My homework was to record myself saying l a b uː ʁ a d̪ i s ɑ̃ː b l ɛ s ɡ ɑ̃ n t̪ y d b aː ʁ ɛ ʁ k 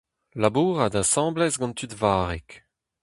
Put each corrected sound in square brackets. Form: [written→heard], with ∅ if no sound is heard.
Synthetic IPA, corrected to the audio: l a b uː ʁ a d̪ [i→a] s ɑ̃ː b l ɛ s ɡ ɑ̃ n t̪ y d [b→v] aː ʁ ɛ [ʁ→∅] k